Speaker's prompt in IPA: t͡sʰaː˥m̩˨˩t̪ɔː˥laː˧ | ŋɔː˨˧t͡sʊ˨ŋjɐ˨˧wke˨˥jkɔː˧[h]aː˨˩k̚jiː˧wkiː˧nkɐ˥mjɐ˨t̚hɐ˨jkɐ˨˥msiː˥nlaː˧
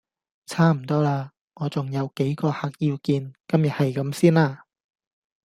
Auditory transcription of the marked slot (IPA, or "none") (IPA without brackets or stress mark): h